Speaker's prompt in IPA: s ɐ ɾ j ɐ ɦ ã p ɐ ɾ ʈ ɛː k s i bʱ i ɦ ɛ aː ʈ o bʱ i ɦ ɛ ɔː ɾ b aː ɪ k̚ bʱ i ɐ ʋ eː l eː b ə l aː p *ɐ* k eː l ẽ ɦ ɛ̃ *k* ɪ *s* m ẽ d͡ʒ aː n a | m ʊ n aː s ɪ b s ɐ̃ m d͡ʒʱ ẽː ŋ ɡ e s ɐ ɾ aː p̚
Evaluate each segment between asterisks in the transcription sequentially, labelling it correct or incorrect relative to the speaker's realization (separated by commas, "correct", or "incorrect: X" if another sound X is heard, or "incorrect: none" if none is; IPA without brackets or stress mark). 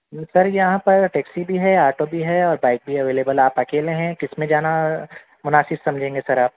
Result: correct, correct, correct